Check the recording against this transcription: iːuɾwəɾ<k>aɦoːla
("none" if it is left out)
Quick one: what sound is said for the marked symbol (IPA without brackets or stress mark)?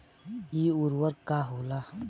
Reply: k